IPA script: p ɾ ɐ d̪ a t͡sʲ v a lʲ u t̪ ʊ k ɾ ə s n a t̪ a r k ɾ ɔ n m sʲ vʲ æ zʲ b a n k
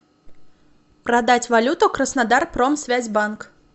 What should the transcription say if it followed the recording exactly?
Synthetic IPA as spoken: p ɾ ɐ d̪ a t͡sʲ v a lʲ u t̪ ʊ k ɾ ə s n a d̪ a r p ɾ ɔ m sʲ vʲ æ zʲ b a n k